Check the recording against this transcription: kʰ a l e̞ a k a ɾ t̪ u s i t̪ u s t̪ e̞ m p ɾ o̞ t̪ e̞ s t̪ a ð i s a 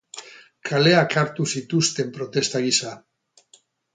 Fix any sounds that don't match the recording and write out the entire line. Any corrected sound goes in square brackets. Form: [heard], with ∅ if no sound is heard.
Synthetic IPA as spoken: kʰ a l e̞ a k a ɾ t̪ u s i t̪ u s t̪ e̞ m p ɾ o̞ t̪ e̞ s t̪ a [ɣ] i s a